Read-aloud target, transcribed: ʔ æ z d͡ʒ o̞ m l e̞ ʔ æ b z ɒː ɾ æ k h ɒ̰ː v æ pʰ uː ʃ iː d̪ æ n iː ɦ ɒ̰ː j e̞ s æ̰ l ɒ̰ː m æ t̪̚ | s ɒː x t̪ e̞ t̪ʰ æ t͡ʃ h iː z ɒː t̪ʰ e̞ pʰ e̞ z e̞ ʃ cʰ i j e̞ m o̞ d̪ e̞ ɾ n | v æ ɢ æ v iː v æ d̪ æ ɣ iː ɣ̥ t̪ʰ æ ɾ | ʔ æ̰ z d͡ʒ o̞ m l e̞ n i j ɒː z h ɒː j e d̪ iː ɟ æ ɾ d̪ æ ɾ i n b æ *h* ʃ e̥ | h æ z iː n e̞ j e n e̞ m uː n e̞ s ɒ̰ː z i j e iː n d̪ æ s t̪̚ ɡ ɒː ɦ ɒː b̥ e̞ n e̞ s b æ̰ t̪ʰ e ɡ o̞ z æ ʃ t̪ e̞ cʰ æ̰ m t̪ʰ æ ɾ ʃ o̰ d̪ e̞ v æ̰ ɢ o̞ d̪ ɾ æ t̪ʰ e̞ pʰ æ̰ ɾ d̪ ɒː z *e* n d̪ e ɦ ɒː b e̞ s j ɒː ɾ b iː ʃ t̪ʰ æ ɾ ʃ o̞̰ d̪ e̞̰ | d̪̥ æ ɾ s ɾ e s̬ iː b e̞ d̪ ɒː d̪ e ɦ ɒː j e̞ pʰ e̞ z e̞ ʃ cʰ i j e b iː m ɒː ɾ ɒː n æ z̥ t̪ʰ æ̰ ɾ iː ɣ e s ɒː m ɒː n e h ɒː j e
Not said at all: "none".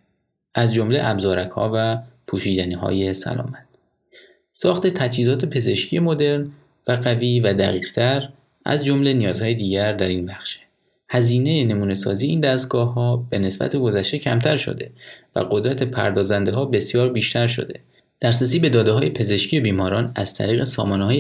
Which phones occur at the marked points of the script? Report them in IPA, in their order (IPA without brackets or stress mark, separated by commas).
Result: x, æ